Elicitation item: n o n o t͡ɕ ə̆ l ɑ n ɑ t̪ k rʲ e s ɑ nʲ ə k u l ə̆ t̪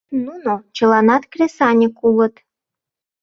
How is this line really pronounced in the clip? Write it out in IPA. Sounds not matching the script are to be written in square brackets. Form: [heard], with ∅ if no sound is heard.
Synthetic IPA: n [u] n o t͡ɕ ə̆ l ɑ n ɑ t̪ k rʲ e s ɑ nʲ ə k u l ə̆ t̪